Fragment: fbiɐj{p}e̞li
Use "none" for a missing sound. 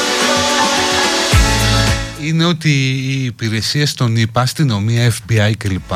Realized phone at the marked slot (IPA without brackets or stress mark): c